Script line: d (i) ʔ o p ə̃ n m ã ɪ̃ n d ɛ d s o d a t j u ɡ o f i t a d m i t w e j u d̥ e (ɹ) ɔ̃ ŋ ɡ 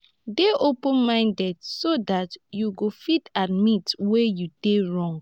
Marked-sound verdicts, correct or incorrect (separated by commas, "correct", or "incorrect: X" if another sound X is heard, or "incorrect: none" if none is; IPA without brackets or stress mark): incorrect: e, correct